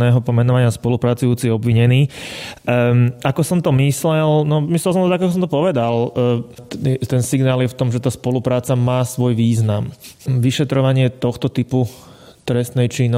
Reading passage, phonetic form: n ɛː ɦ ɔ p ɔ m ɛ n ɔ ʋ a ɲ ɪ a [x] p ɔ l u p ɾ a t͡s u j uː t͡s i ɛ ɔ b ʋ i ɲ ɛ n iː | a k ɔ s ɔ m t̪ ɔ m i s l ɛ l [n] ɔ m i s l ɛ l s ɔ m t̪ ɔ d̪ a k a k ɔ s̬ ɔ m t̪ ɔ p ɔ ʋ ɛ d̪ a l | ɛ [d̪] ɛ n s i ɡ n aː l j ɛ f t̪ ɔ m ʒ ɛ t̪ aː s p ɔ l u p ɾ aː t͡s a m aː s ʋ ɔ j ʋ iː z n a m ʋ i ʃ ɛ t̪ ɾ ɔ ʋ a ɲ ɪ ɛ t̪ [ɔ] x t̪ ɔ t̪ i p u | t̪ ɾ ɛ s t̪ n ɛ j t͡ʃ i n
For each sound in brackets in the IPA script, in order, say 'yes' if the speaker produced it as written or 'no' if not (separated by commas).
no, yes, no, yes